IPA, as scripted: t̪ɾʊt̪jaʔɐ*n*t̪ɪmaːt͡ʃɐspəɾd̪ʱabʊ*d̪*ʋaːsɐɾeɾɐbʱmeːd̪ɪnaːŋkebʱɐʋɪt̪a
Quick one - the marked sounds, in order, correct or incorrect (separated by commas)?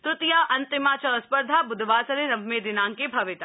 correct, correct